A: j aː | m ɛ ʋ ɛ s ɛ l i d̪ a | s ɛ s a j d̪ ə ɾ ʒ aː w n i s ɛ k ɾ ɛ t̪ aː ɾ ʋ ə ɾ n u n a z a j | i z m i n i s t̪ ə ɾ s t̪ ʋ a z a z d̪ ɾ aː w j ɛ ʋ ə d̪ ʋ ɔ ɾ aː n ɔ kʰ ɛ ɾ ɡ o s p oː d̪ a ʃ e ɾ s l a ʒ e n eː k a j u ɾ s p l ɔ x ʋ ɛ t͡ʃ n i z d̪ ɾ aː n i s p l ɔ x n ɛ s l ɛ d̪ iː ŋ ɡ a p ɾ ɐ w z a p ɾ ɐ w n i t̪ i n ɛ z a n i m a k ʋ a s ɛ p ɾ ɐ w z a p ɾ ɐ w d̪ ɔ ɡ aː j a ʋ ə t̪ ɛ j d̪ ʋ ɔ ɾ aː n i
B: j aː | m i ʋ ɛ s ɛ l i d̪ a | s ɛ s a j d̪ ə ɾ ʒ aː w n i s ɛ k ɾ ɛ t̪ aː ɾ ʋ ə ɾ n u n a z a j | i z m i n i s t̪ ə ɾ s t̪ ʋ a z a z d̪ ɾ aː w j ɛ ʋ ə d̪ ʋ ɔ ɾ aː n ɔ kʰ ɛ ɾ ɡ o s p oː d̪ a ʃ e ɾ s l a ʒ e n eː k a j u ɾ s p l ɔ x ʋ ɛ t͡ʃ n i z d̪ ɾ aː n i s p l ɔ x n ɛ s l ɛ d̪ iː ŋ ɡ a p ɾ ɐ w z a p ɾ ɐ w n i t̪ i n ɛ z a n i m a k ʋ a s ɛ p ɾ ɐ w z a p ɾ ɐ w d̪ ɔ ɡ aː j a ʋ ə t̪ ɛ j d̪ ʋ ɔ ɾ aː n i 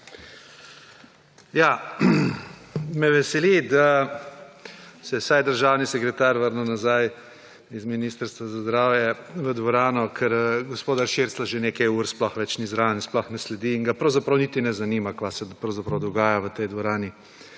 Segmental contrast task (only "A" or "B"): A